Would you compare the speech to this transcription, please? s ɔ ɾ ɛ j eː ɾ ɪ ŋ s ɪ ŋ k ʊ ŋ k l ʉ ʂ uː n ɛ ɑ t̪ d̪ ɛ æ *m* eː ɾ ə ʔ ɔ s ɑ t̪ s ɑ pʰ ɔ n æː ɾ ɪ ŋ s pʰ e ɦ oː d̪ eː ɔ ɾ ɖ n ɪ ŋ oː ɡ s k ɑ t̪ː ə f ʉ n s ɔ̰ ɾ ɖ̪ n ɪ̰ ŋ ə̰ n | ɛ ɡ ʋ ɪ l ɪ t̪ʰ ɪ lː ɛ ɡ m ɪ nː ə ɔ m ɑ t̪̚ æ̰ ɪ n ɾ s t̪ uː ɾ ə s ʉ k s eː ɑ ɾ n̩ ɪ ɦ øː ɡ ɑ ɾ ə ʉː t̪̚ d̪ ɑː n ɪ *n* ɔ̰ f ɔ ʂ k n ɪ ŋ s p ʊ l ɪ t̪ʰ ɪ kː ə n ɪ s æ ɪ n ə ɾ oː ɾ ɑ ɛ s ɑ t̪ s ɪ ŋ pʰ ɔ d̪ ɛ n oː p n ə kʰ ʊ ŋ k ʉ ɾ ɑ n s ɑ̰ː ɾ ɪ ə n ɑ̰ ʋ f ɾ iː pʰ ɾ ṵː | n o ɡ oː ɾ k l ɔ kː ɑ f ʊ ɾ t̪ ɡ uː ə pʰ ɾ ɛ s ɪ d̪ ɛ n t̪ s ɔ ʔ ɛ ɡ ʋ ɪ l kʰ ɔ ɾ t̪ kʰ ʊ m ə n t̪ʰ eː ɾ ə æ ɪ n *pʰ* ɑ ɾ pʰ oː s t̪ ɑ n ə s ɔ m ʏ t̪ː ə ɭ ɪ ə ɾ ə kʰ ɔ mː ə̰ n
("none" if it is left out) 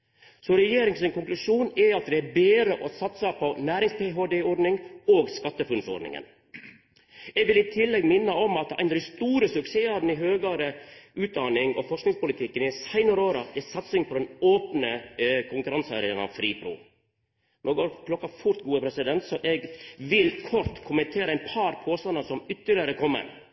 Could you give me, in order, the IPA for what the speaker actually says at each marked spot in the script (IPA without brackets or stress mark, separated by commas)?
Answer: b, ŋ, pʰ